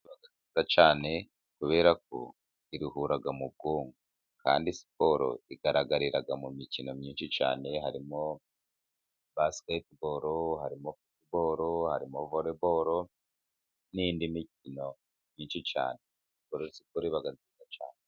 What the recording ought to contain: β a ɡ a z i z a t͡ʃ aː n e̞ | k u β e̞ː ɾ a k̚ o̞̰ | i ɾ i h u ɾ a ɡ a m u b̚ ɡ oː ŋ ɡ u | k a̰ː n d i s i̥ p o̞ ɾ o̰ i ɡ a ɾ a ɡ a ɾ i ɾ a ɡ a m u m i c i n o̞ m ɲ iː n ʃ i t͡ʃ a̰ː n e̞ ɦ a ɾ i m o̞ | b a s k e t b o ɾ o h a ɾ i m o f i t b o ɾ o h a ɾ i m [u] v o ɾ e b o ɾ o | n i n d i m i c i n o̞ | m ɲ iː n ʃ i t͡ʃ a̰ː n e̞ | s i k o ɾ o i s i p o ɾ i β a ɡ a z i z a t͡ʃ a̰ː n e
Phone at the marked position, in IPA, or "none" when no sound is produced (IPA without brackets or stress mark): o